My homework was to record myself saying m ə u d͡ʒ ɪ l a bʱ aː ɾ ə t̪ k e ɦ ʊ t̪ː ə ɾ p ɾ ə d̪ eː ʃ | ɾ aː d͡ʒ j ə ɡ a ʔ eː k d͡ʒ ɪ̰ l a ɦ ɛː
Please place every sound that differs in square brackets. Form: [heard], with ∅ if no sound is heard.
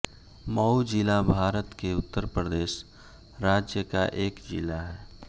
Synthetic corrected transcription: m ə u d͡ʒ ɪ l a bʱ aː ɾ ə t̪ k e [∅] ʊ t̪ː ə ɾ p ɾ ə d̪ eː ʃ | ɾ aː d͡ʒ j ə [k] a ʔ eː k d͡ʒ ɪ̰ l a ɦ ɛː